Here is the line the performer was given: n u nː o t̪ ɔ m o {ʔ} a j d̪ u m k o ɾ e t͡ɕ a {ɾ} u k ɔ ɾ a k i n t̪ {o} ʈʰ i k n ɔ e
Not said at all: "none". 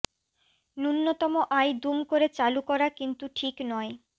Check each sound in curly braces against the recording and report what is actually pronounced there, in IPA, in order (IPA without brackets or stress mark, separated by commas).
ʔ, l, u